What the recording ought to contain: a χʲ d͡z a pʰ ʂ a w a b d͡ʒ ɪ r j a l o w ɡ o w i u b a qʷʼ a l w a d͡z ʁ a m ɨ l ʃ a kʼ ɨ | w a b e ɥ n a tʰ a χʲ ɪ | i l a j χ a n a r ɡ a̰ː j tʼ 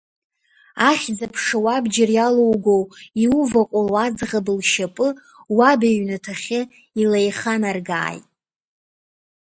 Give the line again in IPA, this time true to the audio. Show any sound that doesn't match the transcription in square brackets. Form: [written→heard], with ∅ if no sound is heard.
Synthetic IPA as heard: a χʲ d͡z a pʰ ʂ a w a b d͡ʒ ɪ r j a l o w ɡ o w i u [b→v] a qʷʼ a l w a d͡z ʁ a [m→b] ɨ l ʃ a [kʼ→pʼ] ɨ | w a b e ɥ n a tʰ a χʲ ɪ | i l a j χ a n a r ɡ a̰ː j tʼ